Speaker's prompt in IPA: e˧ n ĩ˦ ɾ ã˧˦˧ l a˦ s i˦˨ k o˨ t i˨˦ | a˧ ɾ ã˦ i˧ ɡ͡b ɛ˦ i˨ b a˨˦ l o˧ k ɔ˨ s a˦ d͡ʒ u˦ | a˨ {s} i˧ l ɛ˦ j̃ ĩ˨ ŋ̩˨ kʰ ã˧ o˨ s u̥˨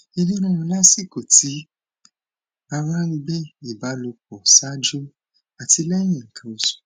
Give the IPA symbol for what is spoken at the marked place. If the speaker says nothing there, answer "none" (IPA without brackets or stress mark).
t